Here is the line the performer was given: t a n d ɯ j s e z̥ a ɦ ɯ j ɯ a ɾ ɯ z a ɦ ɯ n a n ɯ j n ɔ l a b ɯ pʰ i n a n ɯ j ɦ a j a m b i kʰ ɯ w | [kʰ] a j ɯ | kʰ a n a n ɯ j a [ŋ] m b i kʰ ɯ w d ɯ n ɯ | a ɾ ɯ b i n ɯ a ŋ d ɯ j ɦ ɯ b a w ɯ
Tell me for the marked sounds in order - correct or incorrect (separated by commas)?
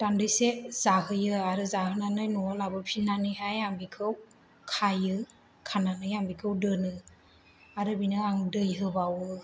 correct, incorrect